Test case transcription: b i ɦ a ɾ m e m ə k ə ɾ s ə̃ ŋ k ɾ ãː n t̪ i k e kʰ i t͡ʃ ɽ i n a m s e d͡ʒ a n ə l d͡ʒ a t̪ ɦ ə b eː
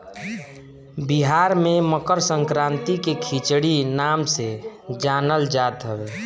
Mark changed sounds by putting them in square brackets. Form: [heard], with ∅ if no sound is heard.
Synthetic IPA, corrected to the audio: b i ɦ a ɾ m e m ə k ə ɾ s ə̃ ŋ k ɾ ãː n t̪ i k e kʰ i t͡ʃ ɽ i n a m s e d͡ʒ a n ə l d͡ʒ a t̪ ɦ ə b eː